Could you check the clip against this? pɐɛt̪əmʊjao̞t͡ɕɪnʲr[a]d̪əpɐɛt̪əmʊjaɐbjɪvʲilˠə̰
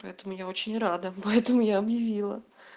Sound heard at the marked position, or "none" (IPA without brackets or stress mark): a